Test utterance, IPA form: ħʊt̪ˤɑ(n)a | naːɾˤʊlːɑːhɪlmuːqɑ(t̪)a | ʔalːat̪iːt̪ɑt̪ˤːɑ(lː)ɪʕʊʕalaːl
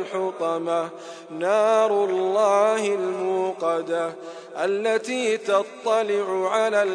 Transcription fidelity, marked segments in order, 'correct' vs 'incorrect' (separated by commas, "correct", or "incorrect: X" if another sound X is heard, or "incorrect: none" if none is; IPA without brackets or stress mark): incorrect: m, incorrect: d̪, incorrect: l